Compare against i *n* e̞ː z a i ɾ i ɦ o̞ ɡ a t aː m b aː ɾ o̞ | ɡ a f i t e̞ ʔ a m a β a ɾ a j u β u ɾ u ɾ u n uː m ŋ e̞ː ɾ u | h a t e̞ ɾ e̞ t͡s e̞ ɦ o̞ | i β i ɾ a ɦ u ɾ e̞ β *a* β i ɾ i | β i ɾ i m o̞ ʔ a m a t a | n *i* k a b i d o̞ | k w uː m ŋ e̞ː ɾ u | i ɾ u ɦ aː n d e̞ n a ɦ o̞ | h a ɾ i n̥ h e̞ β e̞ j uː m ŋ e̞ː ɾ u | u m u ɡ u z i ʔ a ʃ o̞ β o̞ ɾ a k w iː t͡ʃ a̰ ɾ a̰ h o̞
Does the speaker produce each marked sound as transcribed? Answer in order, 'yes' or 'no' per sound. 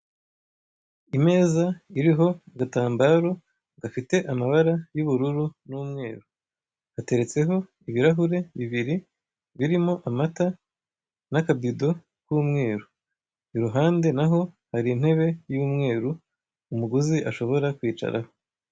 no, no, no

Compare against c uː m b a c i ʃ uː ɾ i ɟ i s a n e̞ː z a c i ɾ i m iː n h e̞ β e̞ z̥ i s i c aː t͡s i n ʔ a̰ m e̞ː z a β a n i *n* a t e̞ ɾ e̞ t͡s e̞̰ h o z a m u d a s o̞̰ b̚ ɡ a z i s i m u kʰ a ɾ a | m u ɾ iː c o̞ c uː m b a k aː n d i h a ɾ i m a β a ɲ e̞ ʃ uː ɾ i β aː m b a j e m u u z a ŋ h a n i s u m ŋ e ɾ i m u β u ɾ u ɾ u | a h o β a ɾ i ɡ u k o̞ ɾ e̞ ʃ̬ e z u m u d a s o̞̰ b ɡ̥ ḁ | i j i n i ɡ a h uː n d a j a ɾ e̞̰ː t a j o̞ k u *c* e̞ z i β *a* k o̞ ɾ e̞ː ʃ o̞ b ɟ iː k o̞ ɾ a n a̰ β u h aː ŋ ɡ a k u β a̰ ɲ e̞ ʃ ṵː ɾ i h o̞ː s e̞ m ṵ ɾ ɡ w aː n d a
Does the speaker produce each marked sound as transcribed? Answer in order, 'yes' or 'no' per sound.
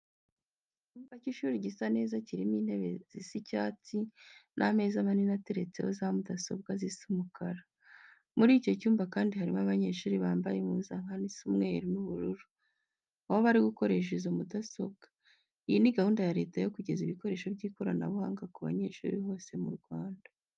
yes, no, no

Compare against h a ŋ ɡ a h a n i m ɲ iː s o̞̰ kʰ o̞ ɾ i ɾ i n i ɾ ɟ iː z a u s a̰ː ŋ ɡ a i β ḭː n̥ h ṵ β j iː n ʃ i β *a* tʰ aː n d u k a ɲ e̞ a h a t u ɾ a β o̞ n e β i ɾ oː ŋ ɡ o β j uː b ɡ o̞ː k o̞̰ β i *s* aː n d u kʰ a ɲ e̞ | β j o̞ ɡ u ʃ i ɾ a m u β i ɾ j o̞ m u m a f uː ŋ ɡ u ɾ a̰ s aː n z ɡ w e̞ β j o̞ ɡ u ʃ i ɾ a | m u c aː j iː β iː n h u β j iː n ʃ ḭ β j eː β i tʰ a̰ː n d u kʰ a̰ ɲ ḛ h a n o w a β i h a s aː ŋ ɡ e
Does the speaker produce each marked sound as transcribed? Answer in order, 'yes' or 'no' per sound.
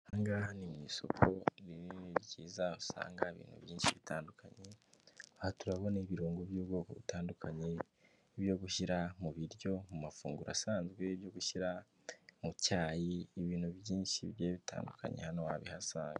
no, no

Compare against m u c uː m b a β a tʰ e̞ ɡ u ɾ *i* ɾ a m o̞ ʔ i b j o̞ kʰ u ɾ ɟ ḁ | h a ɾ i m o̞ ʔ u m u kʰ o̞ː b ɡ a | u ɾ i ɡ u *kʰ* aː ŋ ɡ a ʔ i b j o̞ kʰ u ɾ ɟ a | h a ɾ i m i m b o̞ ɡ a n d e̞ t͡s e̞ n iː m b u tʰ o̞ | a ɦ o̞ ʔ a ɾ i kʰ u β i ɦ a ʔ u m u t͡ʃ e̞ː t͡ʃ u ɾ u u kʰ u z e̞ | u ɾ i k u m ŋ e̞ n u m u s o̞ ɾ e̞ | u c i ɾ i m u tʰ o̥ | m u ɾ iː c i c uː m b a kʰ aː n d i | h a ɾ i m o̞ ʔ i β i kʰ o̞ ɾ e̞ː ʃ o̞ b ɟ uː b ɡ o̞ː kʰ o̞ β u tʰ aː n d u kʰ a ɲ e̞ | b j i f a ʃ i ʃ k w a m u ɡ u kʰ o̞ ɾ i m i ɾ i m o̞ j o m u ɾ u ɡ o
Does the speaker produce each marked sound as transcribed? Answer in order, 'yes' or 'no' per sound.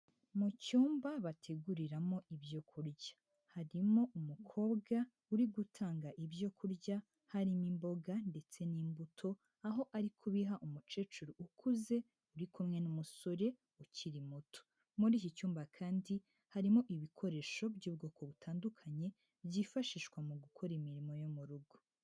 yes, no

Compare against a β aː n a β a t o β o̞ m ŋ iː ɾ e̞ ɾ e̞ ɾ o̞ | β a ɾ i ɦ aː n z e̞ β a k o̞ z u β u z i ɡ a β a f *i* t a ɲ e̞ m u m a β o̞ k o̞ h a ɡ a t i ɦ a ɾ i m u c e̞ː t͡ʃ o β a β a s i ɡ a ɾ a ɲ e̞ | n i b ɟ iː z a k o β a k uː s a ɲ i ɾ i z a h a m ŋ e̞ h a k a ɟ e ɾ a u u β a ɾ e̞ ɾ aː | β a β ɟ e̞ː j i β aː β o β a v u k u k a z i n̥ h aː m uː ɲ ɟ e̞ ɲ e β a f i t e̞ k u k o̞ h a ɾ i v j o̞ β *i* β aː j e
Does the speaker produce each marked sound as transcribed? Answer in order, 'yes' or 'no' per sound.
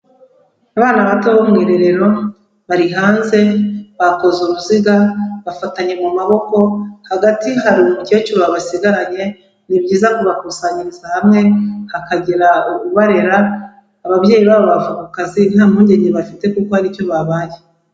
no, no

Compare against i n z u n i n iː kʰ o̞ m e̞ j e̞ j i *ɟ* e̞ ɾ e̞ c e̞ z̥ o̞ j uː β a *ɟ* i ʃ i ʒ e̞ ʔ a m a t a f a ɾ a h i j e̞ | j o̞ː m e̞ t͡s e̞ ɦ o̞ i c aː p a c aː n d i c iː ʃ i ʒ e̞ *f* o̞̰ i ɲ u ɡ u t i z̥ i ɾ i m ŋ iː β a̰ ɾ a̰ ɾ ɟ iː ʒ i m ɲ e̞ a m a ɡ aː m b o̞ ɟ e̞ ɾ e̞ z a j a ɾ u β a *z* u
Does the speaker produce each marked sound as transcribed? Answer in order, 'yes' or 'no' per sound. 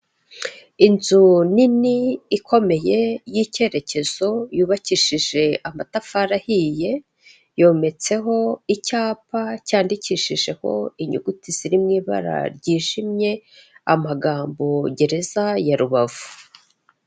no, no, no, no

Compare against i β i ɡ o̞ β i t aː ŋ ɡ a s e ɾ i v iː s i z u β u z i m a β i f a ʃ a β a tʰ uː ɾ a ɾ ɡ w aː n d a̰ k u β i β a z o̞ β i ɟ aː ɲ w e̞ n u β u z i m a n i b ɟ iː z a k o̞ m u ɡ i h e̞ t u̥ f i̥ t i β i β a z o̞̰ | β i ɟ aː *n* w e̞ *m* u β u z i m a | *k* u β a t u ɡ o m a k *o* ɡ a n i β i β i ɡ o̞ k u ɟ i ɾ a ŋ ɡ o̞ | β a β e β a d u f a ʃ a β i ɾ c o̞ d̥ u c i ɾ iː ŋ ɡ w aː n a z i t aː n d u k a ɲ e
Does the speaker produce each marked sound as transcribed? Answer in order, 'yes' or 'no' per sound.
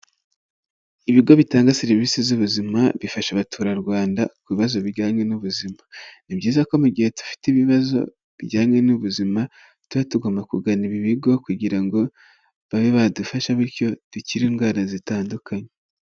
no, no, no, no

